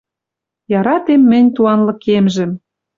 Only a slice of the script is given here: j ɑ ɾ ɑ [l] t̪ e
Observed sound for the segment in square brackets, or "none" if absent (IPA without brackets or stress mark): none